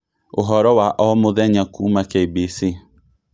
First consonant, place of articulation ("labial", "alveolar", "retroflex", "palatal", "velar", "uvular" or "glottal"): glottal